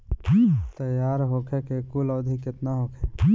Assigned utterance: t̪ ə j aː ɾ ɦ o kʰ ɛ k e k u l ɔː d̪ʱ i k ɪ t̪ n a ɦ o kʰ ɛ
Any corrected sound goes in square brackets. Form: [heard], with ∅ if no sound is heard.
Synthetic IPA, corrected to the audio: t̪ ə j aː ɾ ɦ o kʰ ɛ k e k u l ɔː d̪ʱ i k ɪ t̪ n a ɦ o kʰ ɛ